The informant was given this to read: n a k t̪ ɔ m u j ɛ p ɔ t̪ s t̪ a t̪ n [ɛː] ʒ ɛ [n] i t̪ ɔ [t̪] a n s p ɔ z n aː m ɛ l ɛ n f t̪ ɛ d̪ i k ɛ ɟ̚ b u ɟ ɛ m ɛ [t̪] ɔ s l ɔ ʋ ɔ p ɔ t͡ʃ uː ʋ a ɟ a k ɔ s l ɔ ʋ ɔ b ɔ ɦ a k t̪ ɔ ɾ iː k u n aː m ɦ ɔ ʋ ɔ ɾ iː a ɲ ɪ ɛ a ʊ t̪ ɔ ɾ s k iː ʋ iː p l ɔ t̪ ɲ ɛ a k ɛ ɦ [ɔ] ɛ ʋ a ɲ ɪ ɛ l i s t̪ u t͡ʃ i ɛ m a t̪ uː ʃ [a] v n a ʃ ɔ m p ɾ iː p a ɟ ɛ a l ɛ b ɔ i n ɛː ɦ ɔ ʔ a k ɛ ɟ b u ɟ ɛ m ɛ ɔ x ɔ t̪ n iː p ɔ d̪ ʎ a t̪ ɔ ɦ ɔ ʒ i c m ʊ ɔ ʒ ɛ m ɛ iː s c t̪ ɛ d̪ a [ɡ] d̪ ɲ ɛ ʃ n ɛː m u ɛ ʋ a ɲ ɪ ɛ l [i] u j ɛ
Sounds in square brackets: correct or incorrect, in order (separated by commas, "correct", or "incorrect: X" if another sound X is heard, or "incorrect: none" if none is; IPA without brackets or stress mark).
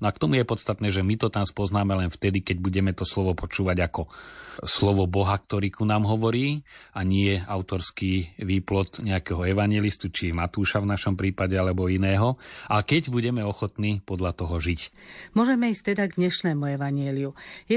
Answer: correct, incorrect: m, correct, correct, correct, correct, correct, correct